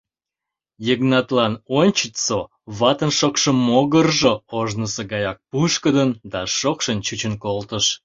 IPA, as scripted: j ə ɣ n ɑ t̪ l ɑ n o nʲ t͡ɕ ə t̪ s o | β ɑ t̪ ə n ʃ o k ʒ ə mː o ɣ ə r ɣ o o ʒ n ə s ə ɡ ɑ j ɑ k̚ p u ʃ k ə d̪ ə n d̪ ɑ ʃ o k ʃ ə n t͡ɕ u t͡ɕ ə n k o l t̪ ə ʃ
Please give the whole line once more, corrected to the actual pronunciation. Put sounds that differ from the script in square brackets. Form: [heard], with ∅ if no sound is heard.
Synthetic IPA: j ə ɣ n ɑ t̪ l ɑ n o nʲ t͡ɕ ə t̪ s o | β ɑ t̪ ə n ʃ o k [ʃ] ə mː o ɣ ə r [ʒ] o o ʒ n ə s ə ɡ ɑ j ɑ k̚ p u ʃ k ə d̪ ə n d̪ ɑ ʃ o k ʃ ə n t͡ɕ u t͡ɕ ə n k o l t̪ ə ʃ